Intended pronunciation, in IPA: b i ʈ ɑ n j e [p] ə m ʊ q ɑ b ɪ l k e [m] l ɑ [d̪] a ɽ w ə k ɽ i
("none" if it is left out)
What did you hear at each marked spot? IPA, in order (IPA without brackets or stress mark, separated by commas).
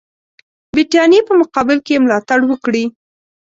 p, m, t̪